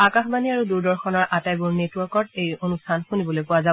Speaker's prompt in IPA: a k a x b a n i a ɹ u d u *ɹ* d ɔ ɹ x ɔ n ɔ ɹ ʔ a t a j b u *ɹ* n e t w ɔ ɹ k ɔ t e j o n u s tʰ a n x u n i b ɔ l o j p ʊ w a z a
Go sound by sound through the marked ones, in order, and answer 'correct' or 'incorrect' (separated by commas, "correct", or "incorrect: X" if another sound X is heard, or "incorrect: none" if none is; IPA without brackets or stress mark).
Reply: correct, correct